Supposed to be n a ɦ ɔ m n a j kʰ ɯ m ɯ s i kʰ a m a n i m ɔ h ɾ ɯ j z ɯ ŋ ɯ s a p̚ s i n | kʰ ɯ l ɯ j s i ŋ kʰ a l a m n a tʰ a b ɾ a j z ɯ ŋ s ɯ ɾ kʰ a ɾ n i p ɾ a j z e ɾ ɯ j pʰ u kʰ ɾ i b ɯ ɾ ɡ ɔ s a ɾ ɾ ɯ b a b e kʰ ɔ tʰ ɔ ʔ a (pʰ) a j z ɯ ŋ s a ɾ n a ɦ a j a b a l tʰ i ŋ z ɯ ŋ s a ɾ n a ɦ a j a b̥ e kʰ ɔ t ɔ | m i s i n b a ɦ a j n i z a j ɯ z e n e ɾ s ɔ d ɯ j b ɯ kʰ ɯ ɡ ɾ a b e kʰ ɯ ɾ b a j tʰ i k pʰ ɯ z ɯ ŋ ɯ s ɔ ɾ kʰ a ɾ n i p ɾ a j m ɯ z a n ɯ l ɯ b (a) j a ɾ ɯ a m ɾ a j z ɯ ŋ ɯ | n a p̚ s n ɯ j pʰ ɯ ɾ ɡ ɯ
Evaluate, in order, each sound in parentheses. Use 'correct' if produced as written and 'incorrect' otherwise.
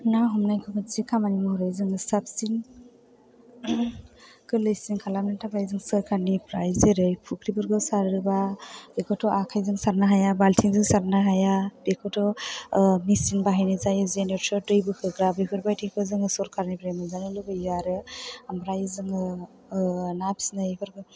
incorrect: kʰ, correct

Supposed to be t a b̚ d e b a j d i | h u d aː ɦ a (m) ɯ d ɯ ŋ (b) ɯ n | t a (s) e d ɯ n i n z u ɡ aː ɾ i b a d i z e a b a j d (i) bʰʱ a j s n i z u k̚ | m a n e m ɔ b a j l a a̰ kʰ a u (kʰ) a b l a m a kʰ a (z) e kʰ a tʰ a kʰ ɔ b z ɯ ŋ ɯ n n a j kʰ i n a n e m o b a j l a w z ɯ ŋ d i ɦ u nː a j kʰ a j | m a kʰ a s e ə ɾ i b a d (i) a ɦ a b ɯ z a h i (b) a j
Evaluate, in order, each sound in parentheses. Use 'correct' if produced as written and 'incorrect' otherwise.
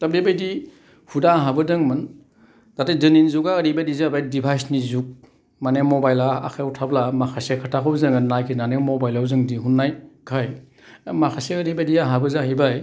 incorrect: b, incorrect: m, incorrect: t, correct, incorrect: tʰ, incorrect: s, correct, correct

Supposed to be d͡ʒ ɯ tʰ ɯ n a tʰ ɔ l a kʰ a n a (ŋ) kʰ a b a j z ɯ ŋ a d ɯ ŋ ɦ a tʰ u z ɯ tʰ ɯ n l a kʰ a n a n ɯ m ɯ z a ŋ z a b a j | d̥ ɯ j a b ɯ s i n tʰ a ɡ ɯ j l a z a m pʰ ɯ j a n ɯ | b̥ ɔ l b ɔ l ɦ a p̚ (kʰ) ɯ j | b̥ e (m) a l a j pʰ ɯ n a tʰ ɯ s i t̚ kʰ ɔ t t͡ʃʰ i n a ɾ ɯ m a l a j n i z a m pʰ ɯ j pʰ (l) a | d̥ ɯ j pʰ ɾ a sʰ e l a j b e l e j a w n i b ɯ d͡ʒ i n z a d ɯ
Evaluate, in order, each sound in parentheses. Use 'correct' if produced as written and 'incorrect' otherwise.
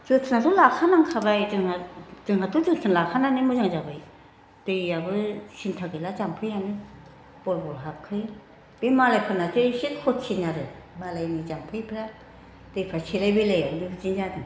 correct, correct, correct, incorrect: ɾ

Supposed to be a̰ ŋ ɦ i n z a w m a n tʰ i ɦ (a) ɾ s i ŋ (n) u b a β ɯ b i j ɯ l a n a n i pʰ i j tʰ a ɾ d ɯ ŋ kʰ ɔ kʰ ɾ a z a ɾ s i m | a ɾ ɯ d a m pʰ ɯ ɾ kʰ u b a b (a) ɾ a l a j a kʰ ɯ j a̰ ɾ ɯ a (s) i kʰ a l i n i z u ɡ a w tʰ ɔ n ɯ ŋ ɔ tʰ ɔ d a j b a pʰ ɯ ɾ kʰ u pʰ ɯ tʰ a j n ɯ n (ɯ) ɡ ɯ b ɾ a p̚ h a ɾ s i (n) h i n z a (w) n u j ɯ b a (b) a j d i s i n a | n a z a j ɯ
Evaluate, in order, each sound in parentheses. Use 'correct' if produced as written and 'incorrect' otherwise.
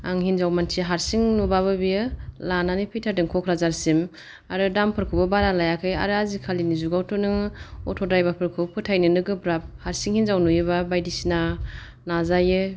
correct, correct, correct, incorrect: z, correct, incorrect: ŋ, correct, correct

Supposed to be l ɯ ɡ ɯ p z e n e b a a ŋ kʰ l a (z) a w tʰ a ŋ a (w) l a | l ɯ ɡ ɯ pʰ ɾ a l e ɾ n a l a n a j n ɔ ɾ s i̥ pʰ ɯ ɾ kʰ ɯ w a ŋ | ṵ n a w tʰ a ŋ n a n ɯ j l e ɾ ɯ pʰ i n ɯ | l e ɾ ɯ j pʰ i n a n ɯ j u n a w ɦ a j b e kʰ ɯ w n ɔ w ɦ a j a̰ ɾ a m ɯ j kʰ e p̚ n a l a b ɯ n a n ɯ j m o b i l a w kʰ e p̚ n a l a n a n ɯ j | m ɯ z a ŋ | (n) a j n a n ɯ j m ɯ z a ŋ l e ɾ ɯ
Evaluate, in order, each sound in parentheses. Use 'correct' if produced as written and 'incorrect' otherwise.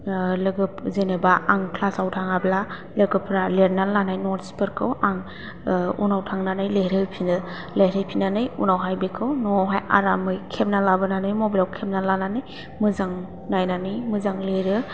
incorrect: s, incorrect: b, correct

